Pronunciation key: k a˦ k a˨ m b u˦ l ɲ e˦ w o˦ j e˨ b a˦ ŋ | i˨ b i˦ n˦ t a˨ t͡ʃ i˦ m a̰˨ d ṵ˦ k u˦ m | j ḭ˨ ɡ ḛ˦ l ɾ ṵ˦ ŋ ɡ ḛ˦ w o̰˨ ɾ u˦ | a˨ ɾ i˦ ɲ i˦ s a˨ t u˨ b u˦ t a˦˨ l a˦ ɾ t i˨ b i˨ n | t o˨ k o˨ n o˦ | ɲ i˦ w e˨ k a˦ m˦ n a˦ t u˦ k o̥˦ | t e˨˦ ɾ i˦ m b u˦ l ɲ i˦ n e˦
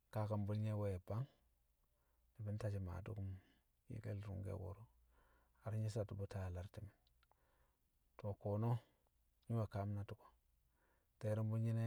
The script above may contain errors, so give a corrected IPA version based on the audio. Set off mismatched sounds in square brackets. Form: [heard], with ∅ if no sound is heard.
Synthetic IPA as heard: k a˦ k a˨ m b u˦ l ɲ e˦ w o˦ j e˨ b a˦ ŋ | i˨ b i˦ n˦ t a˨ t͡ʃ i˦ m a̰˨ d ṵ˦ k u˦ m | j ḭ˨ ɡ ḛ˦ l ɾ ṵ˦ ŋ ɡ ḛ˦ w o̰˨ ɾ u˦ | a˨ ɾ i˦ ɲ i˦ s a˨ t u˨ b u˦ t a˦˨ l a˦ ɾ t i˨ [m] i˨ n | t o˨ k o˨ n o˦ | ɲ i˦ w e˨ k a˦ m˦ n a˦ t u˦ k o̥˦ | t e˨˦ ɾ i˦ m b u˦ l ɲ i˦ n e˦